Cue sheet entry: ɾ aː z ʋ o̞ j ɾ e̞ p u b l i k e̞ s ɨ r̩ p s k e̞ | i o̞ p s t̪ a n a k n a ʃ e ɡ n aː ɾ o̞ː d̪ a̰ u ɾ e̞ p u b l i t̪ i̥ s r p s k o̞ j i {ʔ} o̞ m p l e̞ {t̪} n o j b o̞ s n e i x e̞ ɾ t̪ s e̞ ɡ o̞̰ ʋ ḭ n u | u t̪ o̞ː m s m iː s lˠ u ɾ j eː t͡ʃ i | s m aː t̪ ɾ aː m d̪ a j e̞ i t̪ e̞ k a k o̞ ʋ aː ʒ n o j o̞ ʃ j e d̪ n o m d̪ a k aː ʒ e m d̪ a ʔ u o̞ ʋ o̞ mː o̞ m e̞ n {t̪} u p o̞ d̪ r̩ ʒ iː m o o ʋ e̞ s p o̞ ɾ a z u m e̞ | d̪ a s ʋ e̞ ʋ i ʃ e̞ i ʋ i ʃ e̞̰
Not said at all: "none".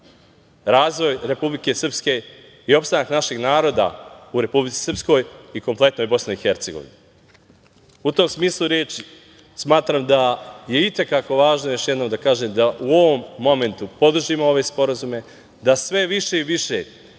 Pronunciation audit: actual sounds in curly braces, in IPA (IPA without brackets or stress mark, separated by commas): k, t̪, t̪